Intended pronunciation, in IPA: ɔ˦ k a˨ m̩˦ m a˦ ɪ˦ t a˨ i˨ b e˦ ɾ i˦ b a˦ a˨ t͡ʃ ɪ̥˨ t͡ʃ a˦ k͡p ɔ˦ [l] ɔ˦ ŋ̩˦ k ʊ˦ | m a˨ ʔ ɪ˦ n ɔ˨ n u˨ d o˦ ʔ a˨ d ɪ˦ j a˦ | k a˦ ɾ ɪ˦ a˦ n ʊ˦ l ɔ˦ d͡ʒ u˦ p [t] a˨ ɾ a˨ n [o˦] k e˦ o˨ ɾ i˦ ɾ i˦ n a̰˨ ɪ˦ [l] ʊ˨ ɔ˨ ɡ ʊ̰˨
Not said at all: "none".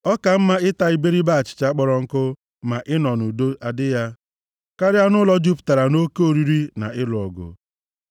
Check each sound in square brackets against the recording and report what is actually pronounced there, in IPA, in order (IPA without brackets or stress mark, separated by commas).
ɾ, t, o˦, l